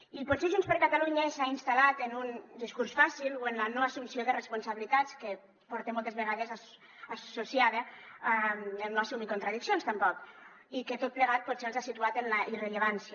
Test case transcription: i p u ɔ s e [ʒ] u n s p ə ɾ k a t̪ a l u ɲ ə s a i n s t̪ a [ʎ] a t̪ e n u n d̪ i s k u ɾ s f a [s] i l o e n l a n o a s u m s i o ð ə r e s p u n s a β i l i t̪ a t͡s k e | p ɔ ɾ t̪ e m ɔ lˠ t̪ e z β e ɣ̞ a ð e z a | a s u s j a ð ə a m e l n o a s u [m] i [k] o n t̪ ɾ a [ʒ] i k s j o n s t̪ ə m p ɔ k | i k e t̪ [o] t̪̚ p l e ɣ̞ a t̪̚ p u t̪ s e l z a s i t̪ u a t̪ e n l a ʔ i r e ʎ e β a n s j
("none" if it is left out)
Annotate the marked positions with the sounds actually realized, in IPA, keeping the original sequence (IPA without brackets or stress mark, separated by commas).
ʒ, l, s, m, k, ð, o